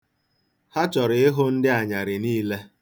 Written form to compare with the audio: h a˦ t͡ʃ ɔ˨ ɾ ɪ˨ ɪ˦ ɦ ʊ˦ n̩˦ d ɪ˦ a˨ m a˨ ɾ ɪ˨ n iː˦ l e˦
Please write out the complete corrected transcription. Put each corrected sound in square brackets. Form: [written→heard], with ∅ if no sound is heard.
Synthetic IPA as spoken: h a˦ t͡ʃ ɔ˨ ɾ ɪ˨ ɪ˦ ɦ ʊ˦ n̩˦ d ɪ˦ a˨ [m→ɲ] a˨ ɾ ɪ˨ n iː˦ l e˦